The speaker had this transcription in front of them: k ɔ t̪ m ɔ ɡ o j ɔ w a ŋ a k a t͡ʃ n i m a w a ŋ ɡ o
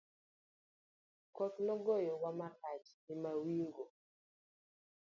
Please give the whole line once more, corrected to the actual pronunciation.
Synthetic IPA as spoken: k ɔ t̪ n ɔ ɡ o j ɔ w a m a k a t͡ʃ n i m a w i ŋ ɡ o